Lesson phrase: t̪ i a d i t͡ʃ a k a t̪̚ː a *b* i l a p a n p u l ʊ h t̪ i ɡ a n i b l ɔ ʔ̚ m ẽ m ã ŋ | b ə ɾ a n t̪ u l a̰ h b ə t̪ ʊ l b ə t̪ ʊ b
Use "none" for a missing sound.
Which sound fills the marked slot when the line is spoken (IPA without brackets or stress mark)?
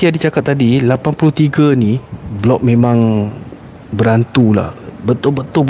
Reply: d